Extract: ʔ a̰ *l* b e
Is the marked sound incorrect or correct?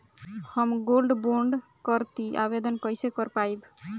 incorrect